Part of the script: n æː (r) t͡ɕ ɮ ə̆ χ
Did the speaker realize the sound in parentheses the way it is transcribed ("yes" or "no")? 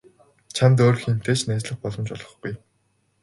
no